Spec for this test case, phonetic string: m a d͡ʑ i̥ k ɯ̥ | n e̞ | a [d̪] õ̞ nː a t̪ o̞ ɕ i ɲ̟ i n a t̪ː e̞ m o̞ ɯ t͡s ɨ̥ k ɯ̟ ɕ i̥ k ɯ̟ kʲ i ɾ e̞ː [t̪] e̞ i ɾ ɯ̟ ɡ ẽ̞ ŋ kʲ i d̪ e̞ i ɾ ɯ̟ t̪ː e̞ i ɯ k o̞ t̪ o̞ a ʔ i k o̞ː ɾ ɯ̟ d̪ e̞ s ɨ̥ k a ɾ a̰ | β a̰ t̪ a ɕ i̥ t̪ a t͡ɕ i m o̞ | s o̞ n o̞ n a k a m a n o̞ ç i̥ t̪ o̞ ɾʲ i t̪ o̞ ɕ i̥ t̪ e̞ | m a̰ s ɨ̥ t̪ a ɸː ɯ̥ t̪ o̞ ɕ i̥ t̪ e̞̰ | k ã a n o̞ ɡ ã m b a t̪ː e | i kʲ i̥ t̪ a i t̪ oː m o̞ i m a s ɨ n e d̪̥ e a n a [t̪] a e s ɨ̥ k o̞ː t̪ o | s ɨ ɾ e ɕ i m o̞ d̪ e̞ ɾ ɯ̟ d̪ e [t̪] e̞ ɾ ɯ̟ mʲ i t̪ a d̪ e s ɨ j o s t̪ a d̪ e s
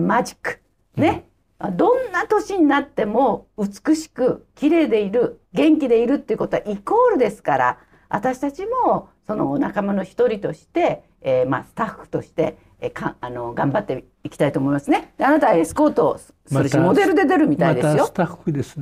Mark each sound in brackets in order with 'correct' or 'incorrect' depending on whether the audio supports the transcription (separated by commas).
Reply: correct, incorrect, correct, incorrect